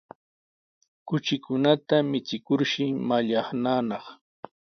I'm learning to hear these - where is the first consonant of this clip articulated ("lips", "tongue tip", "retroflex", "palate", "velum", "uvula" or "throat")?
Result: velum